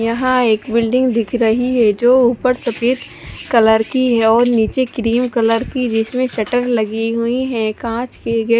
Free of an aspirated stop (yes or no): no